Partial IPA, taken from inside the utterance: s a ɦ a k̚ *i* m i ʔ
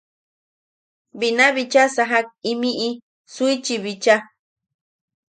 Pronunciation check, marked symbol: correct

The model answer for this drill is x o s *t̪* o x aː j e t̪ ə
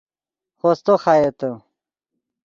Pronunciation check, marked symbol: correct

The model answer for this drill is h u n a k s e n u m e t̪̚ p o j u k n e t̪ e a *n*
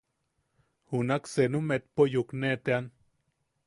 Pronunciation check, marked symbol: correct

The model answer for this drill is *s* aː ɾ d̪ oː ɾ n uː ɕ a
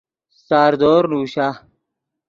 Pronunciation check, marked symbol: correct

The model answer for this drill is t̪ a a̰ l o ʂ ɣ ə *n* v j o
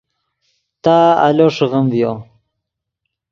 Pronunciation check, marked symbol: incorrect: m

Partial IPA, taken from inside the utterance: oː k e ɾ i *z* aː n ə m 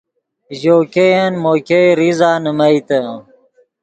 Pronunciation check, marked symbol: correct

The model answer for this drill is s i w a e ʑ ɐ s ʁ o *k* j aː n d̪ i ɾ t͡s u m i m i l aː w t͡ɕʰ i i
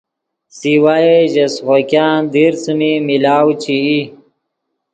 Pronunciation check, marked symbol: correct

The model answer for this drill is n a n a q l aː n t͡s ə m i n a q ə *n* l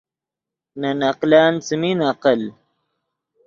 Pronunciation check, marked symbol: incorrect: none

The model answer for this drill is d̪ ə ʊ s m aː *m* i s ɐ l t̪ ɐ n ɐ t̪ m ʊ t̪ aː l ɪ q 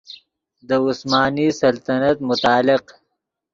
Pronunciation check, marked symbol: incorrect: n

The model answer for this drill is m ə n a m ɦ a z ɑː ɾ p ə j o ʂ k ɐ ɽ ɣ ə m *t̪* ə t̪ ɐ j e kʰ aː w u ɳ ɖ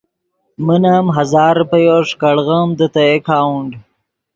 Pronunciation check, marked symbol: incorrect: d̪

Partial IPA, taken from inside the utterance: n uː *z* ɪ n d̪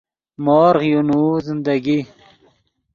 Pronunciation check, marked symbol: correct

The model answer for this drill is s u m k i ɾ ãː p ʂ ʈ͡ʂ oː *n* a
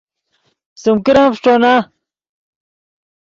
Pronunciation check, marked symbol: correct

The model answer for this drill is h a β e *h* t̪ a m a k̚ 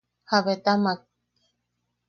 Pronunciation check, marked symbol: incorrect: none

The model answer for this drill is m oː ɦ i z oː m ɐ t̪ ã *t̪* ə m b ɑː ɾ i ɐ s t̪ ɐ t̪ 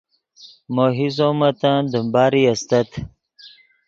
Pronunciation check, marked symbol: incorrect: d̪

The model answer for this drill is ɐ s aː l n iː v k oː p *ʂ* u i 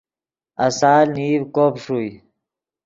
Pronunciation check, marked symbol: correct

